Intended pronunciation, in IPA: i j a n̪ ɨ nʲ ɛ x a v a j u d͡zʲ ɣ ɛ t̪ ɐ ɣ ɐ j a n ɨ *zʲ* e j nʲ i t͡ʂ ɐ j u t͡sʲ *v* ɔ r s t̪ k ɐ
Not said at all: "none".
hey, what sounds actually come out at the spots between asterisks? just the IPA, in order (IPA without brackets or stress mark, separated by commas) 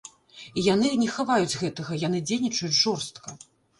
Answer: d͡zʲ, ʐ